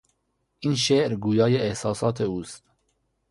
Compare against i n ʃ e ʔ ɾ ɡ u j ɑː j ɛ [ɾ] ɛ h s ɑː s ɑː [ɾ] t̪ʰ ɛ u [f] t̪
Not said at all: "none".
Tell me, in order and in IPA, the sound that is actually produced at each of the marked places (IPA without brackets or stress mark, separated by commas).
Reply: none, none, s